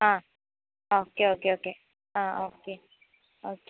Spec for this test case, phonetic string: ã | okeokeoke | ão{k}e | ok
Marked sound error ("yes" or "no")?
no